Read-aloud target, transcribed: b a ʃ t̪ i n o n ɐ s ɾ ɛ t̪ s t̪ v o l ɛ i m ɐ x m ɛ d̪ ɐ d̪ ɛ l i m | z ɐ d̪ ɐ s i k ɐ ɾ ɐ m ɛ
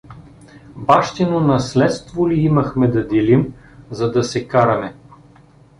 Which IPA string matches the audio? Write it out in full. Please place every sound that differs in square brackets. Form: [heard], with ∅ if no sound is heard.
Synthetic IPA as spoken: b a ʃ t̪ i n o n ɐ s [l] ɛ t̪ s t̪ v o l [i] i m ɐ x m ɛ d̪ ɐ d̪ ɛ l i m | z ɐ d̪ ɐ s [ɛ] k [a] ɾ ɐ m ɛ